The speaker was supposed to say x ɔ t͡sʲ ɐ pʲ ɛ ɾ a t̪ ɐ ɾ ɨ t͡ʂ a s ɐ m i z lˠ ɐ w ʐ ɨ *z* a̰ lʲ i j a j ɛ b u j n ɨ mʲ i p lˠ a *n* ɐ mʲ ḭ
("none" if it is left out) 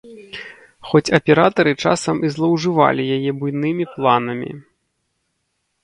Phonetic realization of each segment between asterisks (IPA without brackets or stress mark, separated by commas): v, n